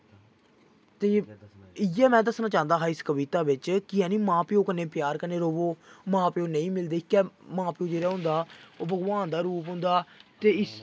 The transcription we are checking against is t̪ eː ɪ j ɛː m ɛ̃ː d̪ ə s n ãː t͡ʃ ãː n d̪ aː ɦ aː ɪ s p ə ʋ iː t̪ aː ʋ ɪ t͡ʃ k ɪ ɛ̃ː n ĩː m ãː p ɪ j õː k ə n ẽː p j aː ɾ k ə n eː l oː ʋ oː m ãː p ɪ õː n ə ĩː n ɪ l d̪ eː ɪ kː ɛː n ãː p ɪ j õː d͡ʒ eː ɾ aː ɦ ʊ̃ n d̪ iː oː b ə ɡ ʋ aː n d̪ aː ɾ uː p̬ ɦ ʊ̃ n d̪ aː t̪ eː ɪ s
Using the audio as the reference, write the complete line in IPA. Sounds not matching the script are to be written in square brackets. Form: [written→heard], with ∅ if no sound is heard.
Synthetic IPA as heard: t̪ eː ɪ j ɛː m ɛ̃ː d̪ ə s n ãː t͡ʃ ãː n d̪ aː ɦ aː ɪ s [p→k] ə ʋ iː t̪ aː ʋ ɪ t͡ʃ k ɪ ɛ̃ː n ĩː m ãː p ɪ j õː k ə n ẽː p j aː ɾ k ə n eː [l→ɾ] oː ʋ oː m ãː p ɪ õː n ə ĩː [n→m] ɪ l d̪ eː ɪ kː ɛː [n→m] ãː p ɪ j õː d͡ʒ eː ɾ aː ɦ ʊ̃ n d̪ [iː→aː] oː b ə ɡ ʋ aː n d̪ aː ɾ uː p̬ ɦ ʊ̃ n d̪ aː t̪ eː ɪ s